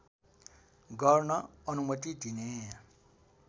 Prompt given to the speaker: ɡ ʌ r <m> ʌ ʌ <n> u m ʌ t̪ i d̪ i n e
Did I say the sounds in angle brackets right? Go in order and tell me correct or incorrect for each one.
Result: incorrect: n, correct

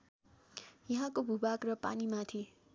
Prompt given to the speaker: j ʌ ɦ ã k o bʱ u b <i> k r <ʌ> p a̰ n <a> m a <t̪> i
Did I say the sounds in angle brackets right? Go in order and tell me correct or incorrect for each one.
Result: incorrect: a, correct, incorrect: i, incorrect: t̪ʰ

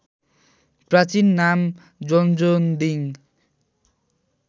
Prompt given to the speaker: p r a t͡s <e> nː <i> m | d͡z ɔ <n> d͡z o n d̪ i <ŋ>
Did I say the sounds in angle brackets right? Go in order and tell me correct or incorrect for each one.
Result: incorrect: i, incorrect: a, correct, correct

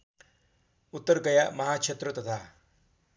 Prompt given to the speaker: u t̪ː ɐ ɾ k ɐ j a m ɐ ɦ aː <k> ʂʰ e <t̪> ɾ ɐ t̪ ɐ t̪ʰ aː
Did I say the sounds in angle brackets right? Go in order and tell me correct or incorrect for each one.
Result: correct, correct

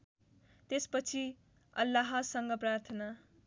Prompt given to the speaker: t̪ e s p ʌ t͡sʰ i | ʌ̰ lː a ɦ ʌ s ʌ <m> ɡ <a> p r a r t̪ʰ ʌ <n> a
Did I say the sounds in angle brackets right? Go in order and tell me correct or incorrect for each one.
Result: incorrect: ŋ, incorrect: ʌ, correct

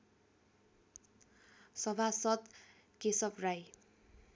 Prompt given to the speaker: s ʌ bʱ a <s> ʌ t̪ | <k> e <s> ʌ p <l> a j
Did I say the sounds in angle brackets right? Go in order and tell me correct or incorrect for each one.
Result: correct, correct, correct, incorrect: r

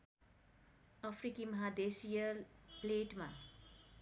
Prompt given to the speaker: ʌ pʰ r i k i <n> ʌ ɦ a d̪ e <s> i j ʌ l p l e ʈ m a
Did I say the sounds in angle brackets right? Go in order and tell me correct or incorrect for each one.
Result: incorrect: m, correct

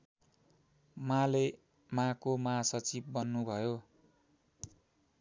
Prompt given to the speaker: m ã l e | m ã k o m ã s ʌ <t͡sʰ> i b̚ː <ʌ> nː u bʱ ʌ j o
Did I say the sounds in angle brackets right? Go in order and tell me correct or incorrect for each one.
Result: incorrect: t͡s, correct

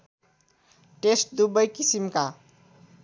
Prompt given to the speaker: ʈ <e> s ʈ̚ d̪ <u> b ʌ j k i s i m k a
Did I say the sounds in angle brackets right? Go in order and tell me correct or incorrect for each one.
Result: correct, correct

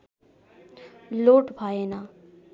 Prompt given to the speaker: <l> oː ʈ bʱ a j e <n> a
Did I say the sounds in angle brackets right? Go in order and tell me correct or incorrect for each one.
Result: correct, correct

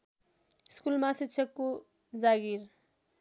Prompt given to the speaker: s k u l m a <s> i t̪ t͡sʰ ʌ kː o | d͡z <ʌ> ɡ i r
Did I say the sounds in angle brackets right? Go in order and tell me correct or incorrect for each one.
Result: correct, incorrect: a

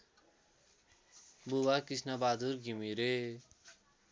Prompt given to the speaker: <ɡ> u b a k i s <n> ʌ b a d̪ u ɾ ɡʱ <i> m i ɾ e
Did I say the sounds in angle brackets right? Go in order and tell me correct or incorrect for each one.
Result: incorrect: b, correct, correct

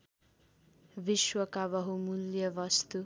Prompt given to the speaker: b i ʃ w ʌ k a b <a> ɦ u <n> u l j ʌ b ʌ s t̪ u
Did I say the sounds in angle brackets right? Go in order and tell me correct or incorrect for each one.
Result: incorrect: ʌ, incorrect: m

